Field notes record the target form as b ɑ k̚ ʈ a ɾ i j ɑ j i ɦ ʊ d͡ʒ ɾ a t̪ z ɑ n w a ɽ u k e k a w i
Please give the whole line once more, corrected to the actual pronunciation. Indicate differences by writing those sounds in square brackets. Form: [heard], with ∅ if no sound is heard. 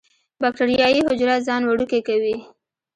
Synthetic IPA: b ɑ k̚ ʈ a ɾ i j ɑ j i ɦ ʊ d͡ʒ ɾ a t̪ z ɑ n w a ɽ u k e k a w i